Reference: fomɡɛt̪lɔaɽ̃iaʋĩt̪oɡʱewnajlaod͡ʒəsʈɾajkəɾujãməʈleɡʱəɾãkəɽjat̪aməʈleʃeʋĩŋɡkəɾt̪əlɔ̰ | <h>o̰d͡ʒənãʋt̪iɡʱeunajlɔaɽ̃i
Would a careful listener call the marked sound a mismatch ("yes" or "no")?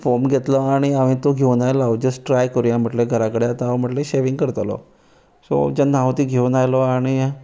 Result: yes